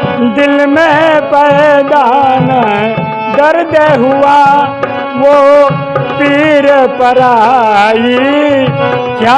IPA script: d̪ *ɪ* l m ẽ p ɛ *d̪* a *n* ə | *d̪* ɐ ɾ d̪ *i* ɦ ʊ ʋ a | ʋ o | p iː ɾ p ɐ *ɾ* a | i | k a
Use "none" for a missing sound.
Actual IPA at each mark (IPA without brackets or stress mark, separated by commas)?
ɪ, d̪, n, d̪, e, ɾ